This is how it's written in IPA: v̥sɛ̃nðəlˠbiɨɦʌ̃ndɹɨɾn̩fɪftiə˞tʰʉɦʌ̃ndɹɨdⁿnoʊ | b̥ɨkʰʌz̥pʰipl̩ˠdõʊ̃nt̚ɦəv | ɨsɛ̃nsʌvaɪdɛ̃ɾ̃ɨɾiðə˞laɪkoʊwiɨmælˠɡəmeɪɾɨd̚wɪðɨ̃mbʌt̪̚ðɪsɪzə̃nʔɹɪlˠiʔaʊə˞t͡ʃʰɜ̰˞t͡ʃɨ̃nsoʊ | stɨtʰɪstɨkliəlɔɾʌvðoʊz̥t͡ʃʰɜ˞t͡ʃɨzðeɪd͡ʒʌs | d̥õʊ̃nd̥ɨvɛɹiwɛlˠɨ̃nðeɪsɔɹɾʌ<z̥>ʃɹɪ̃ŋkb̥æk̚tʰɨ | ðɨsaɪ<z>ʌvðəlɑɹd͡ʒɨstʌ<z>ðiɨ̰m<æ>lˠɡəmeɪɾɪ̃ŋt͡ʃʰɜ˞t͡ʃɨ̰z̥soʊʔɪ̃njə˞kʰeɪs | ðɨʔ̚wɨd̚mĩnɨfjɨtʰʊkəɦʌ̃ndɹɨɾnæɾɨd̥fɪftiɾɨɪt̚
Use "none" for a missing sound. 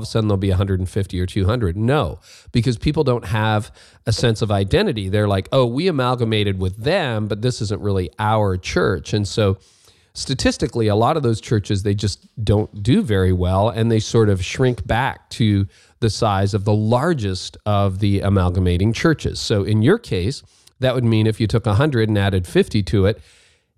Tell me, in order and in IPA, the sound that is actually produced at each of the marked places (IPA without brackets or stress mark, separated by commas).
v̥, z, v, æ